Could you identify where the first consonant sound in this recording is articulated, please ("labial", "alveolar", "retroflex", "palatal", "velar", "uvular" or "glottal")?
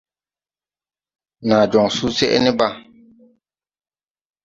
alveolar